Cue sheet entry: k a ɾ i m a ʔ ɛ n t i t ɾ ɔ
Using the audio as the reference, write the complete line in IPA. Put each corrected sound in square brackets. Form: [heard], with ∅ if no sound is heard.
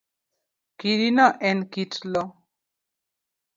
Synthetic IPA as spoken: k [i] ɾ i [n] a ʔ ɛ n [k] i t [l] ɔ